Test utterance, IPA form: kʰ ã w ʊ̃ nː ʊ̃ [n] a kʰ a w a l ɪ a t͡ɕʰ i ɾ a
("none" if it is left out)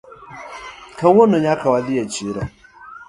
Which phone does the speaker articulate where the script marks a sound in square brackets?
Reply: ɲ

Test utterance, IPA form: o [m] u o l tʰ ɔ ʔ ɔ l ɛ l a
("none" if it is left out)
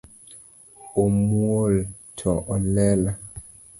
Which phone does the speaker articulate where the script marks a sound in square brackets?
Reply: m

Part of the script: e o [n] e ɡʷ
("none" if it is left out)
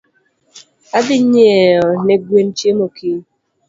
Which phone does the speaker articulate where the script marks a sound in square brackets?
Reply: n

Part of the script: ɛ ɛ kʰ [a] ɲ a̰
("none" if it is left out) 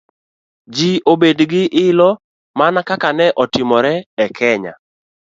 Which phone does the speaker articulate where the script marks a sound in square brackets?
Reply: ɛ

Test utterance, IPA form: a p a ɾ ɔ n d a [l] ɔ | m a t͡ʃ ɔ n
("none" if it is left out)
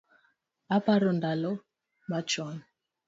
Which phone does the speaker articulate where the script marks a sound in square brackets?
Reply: l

